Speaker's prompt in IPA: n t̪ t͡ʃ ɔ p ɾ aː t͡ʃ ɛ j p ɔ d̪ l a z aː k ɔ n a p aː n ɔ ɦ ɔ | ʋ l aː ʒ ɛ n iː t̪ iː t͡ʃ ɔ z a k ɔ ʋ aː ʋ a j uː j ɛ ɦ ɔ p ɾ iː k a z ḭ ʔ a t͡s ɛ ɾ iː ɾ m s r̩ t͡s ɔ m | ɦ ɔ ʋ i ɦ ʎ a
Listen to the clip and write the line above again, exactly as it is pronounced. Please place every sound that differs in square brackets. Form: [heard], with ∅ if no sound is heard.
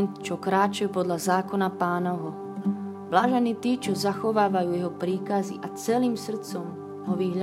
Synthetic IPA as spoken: n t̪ t͡ʃ ɔ [k] ɾ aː t͡ʃ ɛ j p ɔ d̪ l a z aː k ɔ n a p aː n ɔ ɦ ɔ | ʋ l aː ʒ ɛ n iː t̪ iː t͡ʃ ɔ z a [x] ɔ ʋ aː ʋ a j uː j ɛ ɦ ɔ p ɾ iː k a z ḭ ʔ a t͡s ɛ [l] iː [∅] m s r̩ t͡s ɔ m | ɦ ɔ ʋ i ɦ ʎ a